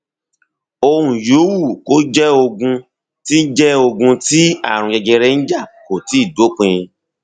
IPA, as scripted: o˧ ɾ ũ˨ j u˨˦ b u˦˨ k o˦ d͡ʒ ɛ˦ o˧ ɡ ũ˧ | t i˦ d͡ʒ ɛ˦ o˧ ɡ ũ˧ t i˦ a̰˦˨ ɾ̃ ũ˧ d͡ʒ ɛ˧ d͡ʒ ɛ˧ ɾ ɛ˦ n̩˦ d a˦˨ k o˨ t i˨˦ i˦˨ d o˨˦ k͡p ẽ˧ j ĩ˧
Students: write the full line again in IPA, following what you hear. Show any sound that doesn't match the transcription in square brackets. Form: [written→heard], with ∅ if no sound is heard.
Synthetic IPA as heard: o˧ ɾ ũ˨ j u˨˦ [b→w] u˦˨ k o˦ d͡ʒ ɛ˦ o˧ ɡ ũ˧ | t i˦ d͡ʒ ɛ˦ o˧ ɡ ũ˧ t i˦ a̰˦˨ ɾ̃ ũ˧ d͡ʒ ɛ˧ d͡ʒ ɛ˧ ɾ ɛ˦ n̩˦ [d→d͡ʒ] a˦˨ k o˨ t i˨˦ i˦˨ d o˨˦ k͡p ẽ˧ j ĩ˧